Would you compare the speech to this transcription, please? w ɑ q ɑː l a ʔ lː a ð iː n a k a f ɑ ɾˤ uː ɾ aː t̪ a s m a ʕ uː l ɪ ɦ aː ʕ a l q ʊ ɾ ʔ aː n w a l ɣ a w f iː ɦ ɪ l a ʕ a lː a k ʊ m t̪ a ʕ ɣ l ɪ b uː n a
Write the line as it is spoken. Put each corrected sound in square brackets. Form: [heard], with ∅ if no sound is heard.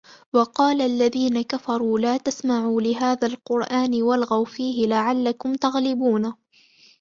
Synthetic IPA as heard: w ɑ q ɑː l a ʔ lː a ð iː n a k a f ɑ ɾˤ uː [l] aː t̪ a s m a ʕ uː l ɪ ɦ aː [ð] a l q ʊ ɾ ʔ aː n w a l ɣ a w f iː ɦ ɪ l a ʕ a lː a k ʊ m t̪ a [∅] ɣ l ɪ b uː n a

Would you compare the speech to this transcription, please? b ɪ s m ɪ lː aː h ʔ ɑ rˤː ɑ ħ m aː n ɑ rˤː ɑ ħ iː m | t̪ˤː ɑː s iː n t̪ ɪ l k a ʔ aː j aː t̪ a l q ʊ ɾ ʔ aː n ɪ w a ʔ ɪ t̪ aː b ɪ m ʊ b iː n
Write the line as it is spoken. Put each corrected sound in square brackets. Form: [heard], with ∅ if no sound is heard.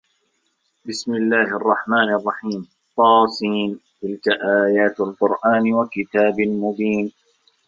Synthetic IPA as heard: b ɪ s m ɪ lː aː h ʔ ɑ rˤː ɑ ħ m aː n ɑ rˤː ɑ ħ iː m | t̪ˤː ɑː s iː n t̪ ɪ l k a ʔ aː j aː t̪ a l q ʊ ɾ ʔ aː n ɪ w a [k] ɪ t̪ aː b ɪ m ʊ b iː n

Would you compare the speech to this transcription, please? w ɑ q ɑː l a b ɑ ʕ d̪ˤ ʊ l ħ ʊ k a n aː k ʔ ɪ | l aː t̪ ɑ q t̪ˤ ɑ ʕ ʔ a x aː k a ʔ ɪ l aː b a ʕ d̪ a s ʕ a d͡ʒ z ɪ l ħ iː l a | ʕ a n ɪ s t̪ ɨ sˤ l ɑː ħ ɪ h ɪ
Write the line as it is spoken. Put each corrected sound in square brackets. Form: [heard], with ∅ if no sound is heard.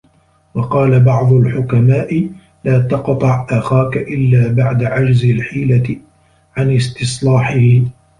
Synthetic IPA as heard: w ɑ q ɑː l a b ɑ ʕ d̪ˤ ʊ l ħ ʊ k a [m] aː [∅] ʔ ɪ | l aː t̪ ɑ q t̪ˤ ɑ ʕ ʔ a x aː k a ʔ ɪ [lː] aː b a ʕ d̪ a [∅] ʕ a d͡ʒ z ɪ l ħ iː l a | ʕ a n ɪ s t̪ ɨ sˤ l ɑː ħ ɪ h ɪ

